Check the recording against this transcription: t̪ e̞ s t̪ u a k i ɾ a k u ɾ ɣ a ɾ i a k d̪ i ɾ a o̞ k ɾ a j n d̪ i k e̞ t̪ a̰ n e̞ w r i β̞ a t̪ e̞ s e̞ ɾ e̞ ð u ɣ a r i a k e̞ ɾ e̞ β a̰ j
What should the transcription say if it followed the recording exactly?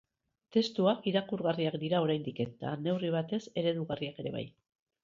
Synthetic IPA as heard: t̪ e̞ s t̪ u a k i ɾ a k u ɾ ɣ a r i a k d̪ i ɾ a o̞ ɾ a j n d̪ i k e̞ t̪ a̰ n e̞ w r i β̞ a t̪ e̞ s e̞ ɾ e̞ ð u ɣ a r i a k e̞ ɾ e̞ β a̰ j